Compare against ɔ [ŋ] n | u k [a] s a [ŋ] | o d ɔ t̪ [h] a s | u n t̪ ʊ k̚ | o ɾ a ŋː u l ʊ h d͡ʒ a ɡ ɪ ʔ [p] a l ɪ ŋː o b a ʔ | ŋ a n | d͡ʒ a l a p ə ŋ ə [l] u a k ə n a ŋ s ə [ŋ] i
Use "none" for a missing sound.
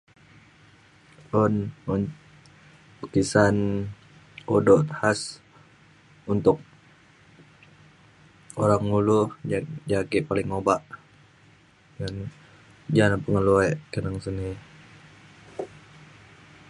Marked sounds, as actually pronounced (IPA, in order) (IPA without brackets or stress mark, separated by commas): n, i, n, h, p, l, n